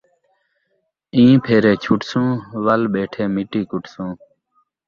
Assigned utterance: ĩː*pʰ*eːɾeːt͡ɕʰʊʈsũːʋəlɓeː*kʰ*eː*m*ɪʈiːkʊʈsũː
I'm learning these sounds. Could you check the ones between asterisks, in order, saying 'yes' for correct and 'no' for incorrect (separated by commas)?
yes, no, yes